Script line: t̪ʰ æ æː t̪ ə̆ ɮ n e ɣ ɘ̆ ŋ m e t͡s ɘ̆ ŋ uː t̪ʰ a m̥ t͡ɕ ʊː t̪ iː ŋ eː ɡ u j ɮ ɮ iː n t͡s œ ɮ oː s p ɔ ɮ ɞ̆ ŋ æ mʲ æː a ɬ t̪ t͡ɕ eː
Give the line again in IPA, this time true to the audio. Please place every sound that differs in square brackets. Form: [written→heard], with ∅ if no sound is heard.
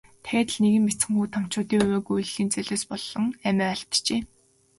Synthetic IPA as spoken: t̪ʰ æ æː t̪ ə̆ ɮ n e ɣ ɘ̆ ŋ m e t͡s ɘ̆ ŋ uː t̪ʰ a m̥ t͡ɕ ʊː t̪ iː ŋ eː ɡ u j ɮ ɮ iː n t͡s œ ɮ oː s p ɔ ɮ ɞ̆ ŋ æ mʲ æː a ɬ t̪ t͡ɕ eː